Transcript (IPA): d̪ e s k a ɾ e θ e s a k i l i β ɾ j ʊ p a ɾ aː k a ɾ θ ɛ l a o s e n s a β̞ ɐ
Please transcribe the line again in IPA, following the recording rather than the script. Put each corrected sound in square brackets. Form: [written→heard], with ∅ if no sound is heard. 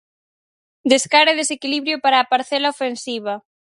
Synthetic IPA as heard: d̪ e s k a ɾ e [θ→ð] e s [a→e] k i l i β ɾ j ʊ p a ɾ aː [k→p] a ɾ θ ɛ l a o [s→f] e n s [a→i] β̞ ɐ